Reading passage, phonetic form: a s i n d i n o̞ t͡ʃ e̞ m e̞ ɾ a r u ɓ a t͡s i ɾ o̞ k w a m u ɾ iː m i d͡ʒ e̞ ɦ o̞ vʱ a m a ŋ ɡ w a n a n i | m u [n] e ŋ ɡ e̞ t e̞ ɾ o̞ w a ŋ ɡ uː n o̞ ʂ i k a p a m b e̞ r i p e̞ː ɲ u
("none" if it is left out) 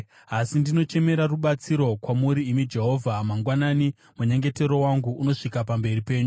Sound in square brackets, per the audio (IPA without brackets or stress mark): ɲ